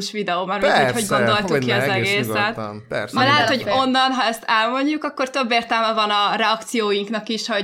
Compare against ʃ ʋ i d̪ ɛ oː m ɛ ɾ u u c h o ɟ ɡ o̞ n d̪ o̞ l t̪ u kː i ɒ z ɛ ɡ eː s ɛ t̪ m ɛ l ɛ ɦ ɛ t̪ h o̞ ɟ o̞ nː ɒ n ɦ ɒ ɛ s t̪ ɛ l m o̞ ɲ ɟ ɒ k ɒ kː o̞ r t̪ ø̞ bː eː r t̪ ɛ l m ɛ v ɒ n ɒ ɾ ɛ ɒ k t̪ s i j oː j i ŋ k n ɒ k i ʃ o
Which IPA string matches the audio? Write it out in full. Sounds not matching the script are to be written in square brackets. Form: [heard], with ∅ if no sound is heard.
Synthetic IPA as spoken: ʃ ʋ i d̪ ɛ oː m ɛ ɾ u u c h o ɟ ɡ o̞ n d̪ o̞ l t̪ u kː i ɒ z ɛ ɡ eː s ɛ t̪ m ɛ l ɛ ɦ ɛ t̪ h o̞ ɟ o̞ nː ɒ n ɦ ɒ ɛ s t̪ ɛ l m o̞ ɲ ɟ [u] k ɒ kː o̞ r t̪ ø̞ bː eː r t̪ ɛ l m ɛ v ɒ n ɒ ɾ ɛ ɒ k t̪ s i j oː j i ŋ k n ɒ k i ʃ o